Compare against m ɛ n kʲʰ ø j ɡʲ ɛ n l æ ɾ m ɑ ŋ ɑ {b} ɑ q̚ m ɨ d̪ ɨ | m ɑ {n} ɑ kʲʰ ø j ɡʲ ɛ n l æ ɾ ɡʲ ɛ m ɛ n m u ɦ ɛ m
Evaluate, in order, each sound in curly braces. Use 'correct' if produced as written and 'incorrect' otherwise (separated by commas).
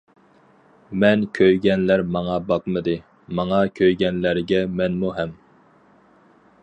correct, incorrect